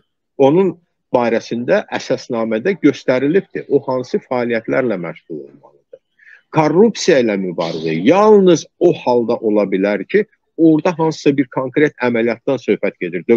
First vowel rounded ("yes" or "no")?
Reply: yes